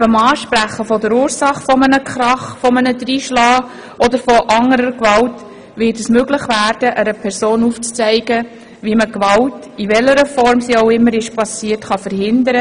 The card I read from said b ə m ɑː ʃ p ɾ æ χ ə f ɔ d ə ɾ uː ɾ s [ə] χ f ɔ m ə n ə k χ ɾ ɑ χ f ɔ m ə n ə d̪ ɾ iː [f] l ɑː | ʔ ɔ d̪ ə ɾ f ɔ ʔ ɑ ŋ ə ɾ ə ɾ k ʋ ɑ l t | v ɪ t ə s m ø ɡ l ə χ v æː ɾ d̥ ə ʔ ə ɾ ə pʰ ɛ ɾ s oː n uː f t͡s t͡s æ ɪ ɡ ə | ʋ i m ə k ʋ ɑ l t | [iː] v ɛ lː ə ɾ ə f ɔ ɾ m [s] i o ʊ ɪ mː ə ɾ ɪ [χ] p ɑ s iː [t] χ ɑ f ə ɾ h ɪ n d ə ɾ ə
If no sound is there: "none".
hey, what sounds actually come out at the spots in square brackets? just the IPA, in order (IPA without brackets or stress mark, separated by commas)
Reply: ɑ, ʃ, i, s, ʃ, t